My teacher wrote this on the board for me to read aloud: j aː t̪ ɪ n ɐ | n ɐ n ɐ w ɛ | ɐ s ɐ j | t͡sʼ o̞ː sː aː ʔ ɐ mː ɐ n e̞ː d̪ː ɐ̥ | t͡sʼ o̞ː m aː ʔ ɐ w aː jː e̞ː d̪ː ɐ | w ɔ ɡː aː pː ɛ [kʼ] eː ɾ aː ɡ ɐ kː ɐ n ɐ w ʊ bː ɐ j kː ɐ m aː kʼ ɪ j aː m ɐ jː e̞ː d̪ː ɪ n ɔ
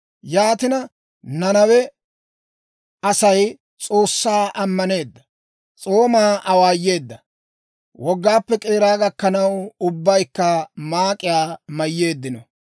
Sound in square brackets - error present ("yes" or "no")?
no